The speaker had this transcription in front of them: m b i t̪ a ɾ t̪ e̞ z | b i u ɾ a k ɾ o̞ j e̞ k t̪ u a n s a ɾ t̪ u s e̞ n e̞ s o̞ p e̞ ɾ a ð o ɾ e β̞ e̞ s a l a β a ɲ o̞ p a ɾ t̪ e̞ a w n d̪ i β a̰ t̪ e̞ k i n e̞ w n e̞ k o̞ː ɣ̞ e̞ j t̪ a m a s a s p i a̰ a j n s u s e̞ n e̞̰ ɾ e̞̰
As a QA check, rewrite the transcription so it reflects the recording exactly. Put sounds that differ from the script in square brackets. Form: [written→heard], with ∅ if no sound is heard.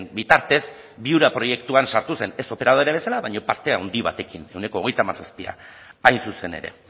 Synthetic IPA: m b i t̪ a ɾ t̪ e̞ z | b i u ɾ a [k→p] ɾ o̞ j e̞ k t̪ u a n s a ɾ t̪ u s e̞ n e̞ s o̞ p e̞ ɾ a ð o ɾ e β̞ e̞ s a l a β a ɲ o̞ p a ɾ t̪ e̞ a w n d̪ i β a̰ t̪ e̞ k i n e̞ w n e̞ k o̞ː ɣ̞ e̞ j t̪ a m a s a s p i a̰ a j n s u s e̞ n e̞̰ ɾ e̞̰